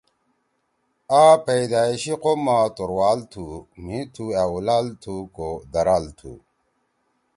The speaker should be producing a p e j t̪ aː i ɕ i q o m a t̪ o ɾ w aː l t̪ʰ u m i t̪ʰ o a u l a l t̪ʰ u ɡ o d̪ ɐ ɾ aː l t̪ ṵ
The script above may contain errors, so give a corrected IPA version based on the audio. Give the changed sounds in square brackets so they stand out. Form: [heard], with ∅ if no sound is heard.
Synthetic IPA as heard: a p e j [d̪] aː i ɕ i q o m a t̪ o ɾ w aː l t̪ʰ u m i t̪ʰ [u] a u l a l t̪ʰ u [k] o d̪ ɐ ɾ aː l [t̪ʰ] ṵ